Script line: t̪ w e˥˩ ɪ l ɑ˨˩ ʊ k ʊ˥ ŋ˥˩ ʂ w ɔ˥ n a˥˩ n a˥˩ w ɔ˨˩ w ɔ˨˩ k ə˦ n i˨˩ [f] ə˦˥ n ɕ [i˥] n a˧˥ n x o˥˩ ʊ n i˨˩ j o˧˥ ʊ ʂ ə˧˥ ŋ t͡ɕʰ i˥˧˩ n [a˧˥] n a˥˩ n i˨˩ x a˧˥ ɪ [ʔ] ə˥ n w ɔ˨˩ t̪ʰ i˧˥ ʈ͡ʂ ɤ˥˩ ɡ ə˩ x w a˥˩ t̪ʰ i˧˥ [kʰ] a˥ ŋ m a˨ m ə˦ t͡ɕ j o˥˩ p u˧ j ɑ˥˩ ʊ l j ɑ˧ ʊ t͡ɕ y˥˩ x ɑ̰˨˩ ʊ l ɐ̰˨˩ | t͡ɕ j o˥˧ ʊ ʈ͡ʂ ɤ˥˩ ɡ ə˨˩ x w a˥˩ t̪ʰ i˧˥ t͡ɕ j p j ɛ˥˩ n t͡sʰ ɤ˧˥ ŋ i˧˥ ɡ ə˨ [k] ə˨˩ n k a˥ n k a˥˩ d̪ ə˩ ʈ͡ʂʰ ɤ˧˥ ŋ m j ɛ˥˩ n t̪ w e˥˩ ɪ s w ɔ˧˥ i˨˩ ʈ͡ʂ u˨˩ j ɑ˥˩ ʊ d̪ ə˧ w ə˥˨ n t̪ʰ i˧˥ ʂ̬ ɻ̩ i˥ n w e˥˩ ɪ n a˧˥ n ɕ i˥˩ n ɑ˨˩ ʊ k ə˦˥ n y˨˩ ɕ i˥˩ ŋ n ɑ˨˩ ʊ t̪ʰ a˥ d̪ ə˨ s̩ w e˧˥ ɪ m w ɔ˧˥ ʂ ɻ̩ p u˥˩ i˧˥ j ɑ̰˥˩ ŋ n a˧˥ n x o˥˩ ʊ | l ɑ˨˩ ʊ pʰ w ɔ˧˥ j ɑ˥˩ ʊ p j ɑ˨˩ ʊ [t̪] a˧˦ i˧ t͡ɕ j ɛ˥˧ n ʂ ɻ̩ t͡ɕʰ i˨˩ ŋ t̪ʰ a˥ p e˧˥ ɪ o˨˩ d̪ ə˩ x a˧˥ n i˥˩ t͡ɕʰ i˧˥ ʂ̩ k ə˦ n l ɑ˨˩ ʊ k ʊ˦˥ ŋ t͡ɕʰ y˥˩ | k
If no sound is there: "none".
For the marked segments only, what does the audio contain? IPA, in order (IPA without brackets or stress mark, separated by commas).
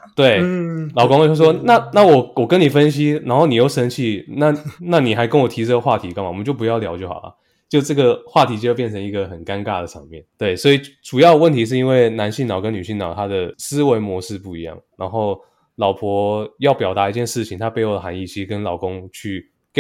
f, i˥, a˥˨, k, k, x, t̪